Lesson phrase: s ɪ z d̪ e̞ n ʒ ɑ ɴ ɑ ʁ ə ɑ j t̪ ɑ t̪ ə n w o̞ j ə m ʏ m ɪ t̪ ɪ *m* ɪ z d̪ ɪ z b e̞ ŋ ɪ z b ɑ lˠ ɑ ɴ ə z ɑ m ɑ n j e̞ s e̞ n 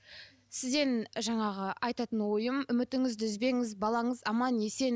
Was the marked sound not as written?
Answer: yes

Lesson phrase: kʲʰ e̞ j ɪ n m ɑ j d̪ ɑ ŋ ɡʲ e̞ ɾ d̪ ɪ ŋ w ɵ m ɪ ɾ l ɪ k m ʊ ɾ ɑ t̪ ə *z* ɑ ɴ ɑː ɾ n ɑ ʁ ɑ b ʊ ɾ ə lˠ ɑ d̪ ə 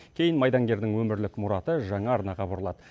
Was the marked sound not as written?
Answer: yes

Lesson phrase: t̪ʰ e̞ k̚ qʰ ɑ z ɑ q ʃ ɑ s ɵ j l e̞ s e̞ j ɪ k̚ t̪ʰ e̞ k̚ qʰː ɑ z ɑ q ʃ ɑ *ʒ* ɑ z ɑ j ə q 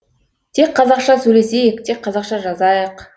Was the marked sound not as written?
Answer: no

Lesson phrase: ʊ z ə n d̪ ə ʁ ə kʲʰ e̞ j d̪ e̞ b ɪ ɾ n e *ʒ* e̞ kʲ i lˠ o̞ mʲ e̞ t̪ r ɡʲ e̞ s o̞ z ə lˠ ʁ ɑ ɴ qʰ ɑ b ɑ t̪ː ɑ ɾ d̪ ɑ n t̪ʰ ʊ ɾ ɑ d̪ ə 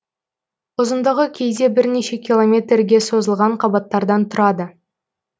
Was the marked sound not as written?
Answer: yes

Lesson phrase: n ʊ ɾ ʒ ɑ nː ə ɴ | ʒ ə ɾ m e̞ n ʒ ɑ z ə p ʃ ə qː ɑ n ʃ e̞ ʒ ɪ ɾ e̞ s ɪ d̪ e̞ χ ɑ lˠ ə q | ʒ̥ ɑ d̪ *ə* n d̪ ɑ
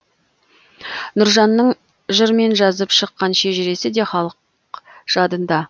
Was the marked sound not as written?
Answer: no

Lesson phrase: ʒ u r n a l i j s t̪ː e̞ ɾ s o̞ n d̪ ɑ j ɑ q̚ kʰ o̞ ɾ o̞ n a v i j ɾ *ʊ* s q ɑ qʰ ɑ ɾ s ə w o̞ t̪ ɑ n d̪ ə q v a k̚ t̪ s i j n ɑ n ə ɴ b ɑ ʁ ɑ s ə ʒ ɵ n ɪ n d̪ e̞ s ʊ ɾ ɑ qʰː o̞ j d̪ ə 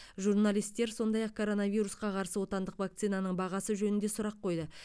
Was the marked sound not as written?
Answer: yes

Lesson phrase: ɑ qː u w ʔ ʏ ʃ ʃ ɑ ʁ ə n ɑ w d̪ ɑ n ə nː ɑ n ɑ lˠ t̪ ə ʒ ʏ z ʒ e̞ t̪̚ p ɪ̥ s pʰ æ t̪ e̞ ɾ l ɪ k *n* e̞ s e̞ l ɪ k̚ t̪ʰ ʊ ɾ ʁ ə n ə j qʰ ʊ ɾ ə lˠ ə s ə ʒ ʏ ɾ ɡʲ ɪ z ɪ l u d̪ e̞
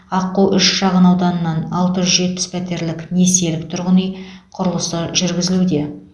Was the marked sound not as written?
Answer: no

